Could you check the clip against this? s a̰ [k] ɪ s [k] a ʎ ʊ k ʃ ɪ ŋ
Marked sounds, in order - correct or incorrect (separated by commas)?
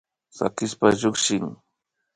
correct, incorrect